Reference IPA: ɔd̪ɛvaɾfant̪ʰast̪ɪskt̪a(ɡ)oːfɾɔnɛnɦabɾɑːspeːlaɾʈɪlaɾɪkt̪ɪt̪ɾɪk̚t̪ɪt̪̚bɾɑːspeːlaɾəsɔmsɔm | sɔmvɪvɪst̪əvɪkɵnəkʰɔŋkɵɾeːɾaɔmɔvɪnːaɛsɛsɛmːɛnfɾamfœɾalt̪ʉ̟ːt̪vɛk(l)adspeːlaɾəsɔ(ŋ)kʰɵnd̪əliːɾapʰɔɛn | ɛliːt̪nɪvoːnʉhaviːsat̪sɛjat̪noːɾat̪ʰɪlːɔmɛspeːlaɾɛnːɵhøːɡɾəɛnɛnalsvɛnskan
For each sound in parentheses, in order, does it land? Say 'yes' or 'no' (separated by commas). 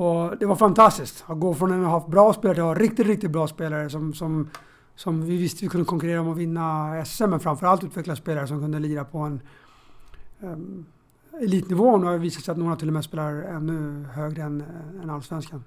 yes, yes, no